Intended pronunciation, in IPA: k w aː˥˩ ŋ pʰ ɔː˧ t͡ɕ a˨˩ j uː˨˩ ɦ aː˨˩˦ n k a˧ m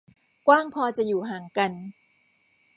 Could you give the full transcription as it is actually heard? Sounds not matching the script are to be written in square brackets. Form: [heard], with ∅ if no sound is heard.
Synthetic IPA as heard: k w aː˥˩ ŋ pʰ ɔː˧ t͡ɕ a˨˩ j uː˨˩ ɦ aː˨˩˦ [ŋ] k a˧ [n]

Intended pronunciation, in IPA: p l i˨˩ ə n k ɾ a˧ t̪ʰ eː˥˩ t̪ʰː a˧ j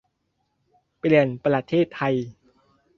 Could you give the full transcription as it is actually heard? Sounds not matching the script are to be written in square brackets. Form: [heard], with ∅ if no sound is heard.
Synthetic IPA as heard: p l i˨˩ ə n [p] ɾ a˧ t̪ʰ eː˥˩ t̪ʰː a˧ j

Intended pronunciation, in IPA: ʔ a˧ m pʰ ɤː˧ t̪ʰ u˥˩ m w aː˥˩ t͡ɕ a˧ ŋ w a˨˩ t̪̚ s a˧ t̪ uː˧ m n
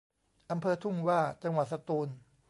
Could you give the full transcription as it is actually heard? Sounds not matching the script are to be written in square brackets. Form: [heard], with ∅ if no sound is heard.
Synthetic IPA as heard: ʔ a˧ m pʰ ɤː˧ t̪ʰ u˥˩ m w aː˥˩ t͡ɕ a˧ ŋ w a˨˩ t̪̚ s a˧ t̪ uː˧ [∅] n

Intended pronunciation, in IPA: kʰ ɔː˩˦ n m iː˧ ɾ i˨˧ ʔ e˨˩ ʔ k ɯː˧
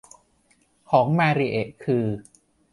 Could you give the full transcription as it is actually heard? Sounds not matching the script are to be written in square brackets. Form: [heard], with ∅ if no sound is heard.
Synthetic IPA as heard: kʰ ɔː˩˦ [ŋ] m [aː˧] ɾ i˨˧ ʔ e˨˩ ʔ [kʰ] ɯː˧

